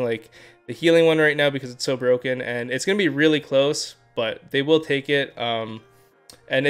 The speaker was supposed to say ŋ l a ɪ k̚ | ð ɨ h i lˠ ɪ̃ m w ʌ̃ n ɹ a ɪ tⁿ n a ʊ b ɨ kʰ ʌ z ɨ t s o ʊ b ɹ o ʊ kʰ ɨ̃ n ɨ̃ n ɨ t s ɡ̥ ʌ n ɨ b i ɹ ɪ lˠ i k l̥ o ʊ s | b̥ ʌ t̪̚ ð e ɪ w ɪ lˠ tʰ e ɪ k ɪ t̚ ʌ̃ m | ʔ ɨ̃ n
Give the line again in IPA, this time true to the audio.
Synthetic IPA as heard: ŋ l a ɪ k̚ | ð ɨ h i lˠ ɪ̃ ŋ w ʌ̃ n ɹ a ɪ tⁿ n a ʊ b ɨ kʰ ʌ z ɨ t s o ʊ b ɹ o ʊ k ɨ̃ n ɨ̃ n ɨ t s ɡ̥ ʌ n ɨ b i ɹ ɪ lˠ i kʰ l̥ o ʊ s | b̥ ʌ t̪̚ ð e ɪ w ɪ lˠ tʰ e ɪ k ɪ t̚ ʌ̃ m | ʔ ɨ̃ n